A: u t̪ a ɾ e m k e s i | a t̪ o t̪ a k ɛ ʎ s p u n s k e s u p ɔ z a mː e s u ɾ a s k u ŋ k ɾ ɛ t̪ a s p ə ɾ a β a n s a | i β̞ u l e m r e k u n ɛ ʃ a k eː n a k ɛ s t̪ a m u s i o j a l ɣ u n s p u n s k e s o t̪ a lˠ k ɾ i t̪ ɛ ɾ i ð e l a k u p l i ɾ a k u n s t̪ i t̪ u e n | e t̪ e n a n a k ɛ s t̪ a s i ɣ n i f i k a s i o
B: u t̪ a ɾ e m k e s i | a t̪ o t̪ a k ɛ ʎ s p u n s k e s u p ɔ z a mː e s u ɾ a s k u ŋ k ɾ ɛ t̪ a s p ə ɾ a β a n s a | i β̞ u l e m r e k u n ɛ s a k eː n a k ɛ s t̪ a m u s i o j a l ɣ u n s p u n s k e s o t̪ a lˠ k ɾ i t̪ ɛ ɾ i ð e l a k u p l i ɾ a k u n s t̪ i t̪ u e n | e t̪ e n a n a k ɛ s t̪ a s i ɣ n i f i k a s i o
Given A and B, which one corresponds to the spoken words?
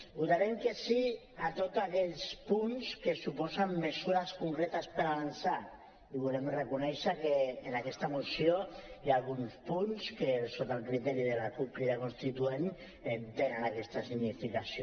A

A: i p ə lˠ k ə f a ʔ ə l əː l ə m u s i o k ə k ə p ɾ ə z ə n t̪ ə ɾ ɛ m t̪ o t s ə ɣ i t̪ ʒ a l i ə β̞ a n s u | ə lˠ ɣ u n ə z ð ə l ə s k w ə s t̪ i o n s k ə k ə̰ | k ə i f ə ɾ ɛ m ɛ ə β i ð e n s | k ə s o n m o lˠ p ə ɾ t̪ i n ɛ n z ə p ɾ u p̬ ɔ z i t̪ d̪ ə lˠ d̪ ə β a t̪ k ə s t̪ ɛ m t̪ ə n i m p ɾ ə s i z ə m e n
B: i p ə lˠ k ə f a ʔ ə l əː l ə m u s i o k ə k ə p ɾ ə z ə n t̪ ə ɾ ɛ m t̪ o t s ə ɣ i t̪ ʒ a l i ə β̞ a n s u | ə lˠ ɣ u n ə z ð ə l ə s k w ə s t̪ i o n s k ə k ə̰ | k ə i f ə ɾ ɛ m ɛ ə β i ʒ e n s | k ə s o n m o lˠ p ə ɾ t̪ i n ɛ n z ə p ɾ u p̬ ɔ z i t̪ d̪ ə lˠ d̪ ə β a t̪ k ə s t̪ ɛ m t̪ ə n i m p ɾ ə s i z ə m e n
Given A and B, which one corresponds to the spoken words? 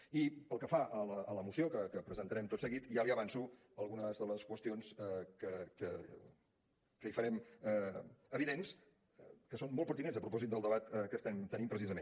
A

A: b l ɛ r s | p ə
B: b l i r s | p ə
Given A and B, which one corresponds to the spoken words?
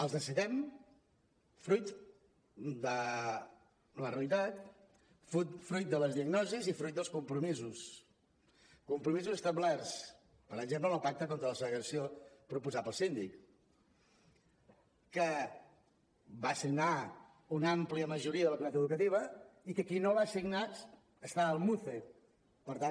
A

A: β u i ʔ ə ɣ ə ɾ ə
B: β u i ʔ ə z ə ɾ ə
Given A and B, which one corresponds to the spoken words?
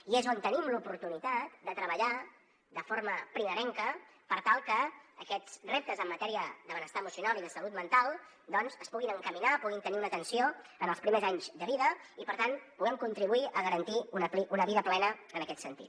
A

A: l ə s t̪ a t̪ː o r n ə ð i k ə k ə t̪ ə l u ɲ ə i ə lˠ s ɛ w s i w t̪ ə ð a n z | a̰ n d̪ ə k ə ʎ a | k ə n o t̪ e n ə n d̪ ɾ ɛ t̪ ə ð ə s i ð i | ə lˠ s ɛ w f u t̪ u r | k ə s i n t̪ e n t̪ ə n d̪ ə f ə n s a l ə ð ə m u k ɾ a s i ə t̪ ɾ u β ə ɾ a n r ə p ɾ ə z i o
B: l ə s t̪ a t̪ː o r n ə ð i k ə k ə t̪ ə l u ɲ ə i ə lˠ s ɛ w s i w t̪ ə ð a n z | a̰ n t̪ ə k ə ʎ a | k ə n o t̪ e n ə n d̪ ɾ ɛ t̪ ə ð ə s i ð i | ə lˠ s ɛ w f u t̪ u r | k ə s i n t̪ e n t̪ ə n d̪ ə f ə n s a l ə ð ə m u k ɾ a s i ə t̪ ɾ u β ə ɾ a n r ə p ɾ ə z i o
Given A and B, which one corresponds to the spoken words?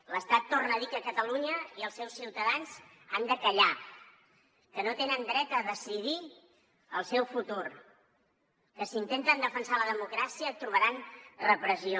A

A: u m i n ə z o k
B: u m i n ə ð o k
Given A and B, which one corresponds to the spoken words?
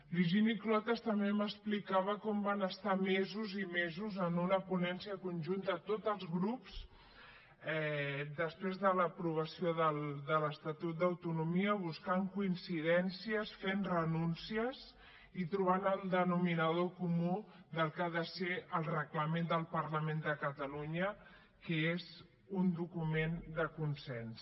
B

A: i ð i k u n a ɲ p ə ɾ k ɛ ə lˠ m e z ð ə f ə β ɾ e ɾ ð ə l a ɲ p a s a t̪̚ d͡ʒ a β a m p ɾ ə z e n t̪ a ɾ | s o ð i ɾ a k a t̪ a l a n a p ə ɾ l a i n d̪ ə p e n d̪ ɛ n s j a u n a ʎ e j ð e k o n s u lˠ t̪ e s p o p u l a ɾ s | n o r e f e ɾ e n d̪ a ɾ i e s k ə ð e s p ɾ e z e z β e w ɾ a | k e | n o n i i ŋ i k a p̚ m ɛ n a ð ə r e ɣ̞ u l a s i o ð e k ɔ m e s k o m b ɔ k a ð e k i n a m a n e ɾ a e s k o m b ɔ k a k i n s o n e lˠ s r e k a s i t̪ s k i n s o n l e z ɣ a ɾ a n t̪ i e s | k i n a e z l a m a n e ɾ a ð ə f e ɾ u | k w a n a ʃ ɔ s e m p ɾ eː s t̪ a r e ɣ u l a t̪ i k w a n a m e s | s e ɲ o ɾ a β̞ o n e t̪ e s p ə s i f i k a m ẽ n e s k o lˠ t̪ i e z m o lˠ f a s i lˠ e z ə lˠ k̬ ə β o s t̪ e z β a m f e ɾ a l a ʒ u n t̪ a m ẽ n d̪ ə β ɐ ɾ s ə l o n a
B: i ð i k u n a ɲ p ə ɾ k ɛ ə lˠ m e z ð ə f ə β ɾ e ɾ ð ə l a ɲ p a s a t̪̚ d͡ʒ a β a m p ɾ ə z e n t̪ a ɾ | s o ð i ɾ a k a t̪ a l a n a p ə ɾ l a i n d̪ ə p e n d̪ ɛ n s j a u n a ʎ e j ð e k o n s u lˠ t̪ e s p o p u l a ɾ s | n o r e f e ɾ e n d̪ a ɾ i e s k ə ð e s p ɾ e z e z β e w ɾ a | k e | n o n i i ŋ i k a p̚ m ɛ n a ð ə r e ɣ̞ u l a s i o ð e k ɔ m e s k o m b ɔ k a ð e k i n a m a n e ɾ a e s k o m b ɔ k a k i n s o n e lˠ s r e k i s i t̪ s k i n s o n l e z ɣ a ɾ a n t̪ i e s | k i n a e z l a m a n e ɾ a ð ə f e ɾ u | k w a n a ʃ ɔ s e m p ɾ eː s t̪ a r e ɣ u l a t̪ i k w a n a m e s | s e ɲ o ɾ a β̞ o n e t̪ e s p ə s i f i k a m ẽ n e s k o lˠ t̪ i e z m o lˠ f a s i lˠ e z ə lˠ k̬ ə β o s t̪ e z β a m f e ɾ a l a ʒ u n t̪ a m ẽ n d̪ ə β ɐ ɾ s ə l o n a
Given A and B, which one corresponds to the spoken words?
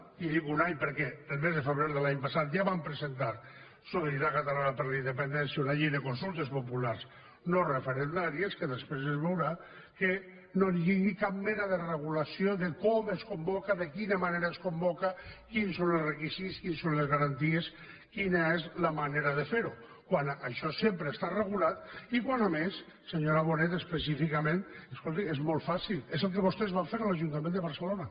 B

